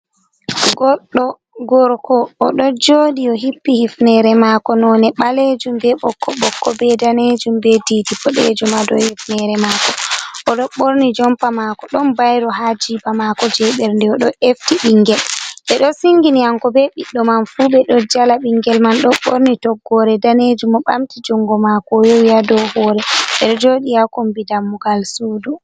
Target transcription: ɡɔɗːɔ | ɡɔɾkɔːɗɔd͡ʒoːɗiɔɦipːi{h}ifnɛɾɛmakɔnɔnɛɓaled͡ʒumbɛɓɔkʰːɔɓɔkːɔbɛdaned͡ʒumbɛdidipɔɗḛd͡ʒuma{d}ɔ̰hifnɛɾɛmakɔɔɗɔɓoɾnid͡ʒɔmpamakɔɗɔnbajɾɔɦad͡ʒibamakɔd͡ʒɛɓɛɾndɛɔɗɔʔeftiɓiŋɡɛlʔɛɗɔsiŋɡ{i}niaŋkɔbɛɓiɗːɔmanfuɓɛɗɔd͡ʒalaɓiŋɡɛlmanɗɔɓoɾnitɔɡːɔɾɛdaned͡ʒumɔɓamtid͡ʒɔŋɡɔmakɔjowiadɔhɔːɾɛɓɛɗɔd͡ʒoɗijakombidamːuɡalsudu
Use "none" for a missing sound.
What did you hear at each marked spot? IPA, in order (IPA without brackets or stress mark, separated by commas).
h, d, i